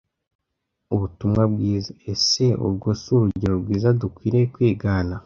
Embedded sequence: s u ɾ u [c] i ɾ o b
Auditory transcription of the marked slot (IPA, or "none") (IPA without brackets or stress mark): ɟ